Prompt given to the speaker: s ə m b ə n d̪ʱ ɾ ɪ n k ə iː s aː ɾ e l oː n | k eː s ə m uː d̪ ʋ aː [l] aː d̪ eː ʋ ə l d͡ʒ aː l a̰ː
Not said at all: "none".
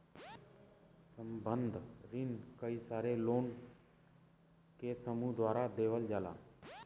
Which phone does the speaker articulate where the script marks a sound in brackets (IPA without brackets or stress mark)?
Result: ɾ